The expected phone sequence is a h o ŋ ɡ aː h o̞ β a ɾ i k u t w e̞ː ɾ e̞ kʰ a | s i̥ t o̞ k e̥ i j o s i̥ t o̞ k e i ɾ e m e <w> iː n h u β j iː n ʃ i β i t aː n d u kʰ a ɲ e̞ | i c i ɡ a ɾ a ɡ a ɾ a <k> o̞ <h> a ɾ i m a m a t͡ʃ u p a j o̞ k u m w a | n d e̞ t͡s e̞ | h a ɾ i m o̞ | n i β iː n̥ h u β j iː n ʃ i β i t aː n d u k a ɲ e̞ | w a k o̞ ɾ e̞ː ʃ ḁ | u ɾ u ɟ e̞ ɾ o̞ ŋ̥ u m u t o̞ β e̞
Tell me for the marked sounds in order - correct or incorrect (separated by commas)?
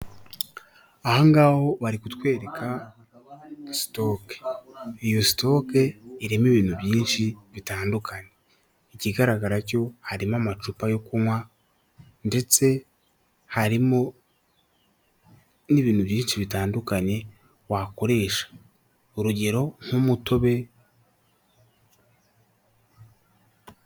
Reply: incorrect, incorrect, correct